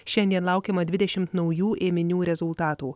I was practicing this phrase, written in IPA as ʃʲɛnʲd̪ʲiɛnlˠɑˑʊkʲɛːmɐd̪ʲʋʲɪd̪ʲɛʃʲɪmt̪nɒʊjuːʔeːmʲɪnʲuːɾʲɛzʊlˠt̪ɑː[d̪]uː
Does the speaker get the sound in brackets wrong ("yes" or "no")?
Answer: yes